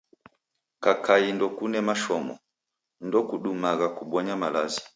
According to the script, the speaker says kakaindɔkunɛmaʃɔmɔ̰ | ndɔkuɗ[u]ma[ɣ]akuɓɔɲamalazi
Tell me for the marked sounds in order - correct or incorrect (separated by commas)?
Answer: correct, correct